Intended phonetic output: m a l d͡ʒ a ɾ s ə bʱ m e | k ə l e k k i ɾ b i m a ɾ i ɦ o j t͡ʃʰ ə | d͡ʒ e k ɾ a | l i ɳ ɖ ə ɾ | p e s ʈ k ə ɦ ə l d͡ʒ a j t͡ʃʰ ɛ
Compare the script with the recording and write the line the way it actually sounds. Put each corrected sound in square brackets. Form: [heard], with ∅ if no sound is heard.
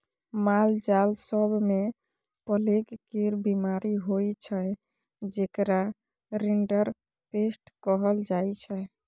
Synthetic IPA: m a l d͡ʒ a [l] s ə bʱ m e | [p] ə l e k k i ɾ b i m a ɾ i ɦ o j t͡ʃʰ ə | d͡ʒ e k ɾ a | [ɾ] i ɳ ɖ ə ɾ | p e s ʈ k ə ɦ ə l d͡ʒ a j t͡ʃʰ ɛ